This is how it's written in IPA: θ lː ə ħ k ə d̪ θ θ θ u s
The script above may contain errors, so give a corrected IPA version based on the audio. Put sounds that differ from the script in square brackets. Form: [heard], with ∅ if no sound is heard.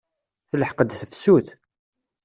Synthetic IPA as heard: θ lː ə ħ [q] ə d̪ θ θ [s] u [θ]